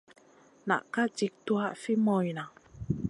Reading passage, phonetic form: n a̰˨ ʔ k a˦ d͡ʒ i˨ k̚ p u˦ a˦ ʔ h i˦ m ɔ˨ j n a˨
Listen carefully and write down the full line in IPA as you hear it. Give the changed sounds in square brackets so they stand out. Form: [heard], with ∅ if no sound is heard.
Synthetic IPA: n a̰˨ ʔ k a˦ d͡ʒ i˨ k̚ [t] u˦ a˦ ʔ [f] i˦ m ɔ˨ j n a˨